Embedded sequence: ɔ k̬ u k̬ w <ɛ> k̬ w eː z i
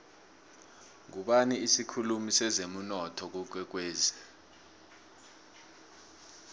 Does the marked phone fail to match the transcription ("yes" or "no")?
no